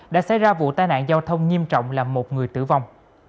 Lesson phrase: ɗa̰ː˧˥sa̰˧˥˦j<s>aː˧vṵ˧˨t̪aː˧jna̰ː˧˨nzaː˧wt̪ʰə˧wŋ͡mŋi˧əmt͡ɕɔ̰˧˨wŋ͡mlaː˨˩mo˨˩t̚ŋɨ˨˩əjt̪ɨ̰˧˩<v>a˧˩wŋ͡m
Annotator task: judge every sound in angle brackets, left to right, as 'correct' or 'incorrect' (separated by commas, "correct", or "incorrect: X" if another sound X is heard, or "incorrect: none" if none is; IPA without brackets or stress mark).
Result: incorrect: z, correct